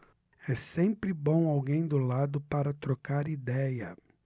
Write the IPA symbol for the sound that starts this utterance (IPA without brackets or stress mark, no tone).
ɛ